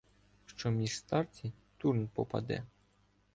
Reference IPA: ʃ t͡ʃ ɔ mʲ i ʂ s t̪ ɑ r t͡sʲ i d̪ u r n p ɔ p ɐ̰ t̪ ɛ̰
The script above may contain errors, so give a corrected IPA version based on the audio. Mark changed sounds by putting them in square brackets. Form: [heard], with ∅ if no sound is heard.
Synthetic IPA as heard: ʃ t͡ʃ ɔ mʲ i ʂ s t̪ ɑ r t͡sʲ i [t̪] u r n p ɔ p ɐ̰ [d̪] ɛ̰